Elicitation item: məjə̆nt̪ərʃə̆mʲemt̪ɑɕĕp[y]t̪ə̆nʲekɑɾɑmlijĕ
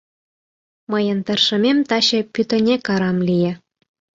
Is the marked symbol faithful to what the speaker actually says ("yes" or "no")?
yes